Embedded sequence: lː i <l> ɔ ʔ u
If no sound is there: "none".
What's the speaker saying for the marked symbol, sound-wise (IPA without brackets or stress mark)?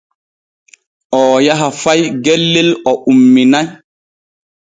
l